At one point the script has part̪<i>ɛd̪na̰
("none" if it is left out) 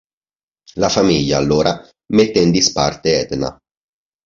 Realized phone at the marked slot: e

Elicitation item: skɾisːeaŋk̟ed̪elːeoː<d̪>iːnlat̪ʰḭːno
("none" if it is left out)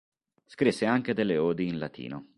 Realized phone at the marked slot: d̪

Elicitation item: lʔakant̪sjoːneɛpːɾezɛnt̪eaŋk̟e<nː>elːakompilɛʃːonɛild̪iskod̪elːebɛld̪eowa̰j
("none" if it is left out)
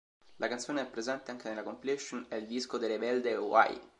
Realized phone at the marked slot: n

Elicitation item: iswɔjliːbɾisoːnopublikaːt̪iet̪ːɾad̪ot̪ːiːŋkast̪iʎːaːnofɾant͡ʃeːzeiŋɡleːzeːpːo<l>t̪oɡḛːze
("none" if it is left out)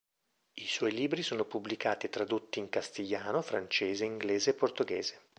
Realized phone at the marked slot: r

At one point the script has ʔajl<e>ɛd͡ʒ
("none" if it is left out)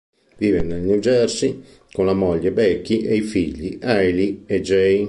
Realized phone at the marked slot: i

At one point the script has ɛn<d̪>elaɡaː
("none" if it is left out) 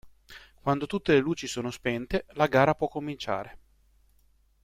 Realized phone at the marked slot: t̪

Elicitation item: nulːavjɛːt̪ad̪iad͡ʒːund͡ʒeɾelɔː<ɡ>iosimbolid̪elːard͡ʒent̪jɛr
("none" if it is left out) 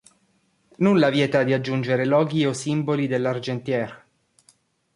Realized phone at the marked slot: ɡ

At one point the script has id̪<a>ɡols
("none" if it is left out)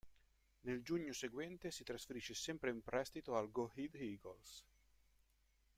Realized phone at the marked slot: i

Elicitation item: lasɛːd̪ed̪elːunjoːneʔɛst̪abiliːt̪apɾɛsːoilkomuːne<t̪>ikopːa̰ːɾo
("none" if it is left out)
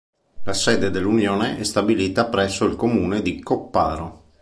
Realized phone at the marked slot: d̪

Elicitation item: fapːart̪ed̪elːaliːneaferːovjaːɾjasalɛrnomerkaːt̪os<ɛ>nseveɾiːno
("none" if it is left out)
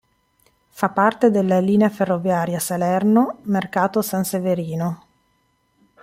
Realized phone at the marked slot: a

